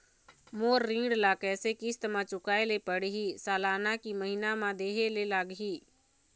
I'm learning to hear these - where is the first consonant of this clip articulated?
lips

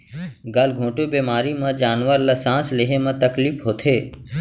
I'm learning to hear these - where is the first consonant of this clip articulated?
velum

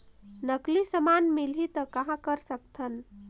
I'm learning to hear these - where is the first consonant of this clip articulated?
tongue tip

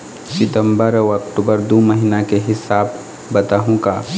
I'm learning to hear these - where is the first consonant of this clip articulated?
tongue tip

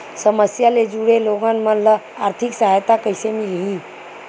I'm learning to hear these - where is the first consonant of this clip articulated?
tongue tip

